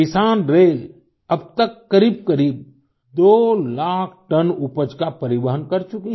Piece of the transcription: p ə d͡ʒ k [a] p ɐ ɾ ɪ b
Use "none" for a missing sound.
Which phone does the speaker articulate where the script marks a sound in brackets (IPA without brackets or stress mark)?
a